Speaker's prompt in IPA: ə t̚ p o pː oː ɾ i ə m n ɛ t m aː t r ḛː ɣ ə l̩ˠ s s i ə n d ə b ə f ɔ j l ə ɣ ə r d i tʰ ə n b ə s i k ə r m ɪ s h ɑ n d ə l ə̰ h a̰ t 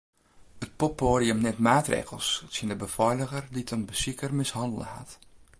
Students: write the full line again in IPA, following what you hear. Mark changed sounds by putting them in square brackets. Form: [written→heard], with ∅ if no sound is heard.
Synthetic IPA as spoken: ə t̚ p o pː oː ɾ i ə m n ɛ t m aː t r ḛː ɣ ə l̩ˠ s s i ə n d ə b ə f ɔ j l ə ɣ ə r d i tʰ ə n b ə s i k ə r m ɪ s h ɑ n d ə l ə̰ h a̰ t